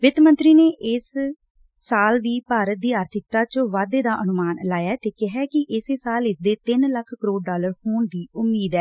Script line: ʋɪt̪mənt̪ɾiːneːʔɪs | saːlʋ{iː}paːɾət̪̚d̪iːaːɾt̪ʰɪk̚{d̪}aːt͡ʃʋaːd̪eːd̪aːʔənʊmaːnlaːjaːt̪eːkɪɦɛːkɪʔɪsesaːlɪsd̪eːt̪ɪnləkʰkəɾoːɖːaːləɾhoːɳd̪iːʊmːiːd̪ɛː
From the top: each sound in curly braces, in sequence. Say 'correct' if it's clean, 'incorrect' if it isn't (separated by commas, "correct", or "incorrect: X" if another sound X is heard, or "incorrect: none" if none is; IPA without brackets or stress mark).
correct, incorrect: t̪